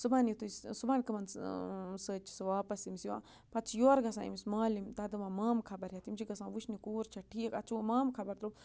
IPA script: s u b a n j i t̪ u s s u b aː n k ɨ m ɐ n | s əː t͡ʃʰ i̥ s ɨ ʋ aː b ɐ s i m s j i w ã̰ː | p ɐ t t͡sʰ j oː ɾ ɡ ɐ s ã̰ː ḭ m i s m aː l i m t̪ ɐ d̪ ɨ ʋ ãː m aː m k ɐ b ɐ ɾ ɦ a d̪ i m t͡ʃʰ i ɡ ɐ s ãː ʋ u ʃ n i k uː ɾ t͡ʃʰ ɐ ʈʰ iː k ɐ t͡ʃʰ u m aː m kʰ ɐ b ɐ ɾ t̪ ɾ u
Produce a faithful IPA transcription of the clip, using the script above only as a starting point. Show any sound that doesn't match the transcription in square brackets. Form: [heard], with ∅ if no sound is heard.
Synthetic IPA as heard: s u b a n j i t̪ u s s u b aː n k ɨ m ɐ n | s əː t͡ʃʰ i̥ s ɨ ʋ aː [p] ɐ s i m s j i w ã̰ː | p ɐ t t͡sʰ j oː ɾ ɡ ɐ s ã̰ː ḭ m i s m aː l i m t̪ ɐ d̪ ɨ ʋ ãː m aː m [kʰ] ɐ b ɐ ɾ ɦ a [t̪] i m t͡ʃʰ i ɡ ɐ s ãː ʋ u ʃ n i k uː ɾ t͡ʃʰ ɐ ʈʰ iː k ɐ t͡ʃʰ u m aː m kʰ ɐ b ɐ ɾ t̪ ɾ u